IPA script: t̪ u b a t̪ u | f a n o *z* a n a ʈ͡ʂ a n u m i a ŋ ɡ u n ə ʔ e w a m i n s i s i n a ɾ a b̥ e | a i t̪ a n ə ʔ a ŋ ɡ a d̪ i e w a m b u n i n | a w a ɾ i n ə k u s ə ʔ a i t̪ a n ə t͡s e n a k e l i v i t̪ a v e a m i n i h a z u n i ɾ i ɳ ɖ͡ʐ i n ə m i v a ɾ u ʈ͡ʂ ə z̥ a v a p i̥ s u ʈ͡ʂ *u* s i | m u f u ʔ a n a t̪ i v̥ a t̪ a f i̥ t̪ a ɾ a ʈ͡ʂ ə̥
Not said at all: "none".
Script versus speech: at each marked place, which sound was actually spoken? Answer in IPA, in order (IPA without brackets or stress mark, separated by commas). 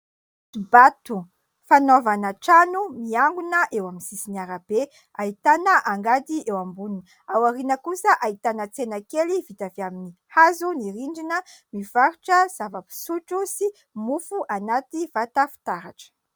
v, u